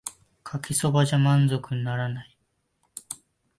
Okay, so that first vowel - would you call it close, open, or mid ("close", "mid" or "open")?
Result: open